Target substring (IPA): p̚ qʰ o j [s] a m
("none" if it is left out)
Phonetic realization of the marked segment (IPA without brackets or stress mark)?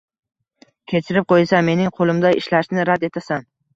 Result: s